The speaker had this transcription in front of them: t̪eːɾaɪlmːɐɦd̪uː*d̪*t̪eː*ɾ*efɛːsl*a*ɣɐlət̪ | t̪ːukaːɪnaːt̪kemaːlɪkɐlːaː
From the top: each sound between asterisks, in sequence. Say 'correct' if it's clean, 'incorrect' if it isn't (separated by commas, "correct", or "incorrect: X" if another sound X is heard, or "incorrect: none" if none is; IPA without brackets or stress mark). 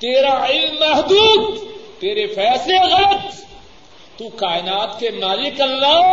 correct, correct, incorrect: e